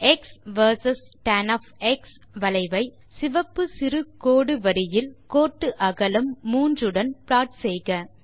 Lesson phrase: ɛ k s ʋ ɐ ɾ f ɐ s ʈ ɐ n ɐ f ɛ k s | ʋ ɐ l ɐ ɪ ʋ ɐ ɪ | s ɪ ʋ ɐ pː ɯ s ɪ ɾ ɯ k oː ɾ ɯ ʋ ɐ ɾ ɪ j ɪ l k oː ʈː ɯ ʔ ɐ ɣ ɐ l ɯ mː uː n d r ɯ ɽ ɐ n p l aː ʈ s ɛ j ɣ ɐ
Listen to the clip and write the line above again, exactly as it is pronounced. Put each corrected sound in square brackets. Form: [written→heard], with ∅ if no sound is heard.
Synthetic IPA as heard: ɛ k s ʋ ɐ ɾ [f→s] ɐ s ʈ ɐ n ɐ f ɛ k s | ʋ ɐ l ɐ ɪ ʋ ɐ ɪ | s ɪ ʋ ɐ pː ɯ s ɪ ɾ ɯ k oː [ɾ→ɽ] ɯ ʋ ɐ ɾ ɪ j ɪ l k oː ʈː ɯ ʔ ɐ ɣ ɐ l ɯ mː uː n d r ɯ ɽ ɐ n p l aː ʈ s ɛ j ɣ ɐ